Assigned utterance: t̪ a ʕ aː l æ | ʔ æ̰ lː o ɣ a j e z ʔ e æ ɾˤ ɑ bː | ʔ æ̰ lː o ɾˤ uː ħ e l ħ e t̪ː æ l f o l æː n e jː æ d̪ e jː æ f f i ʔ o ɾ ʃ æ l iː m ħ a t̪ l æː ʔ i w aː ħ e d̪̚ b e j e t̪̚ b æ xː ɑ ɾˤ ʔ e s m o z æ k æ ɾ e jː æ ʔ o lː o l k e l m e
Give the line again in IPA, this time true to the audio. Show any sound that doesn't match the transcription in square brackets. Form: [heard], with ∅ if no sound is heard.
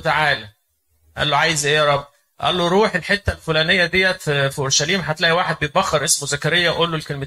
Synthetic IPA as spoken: t̪ a ʕ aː l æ | ʔ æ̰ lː o [ʕ] a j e z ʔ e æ ɾˤ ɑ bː | ʔ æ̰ lː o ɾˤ uː ħ e l ħ e t̪ː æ l f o l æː n e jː æ d̪ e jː æ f f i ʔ o ɾ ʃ æ l iː m ħ a t̪ l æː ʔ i w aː ħ e d̪̚ b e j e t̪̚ b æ xː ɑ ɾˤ ʔ e s m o z æ k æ ɾ e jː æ ʔ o lː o l k e l m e